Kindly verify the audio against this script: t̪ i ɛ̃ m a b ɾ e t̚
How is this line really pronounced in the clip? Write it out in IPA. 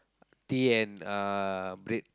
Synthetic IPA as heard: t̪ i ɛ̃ n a b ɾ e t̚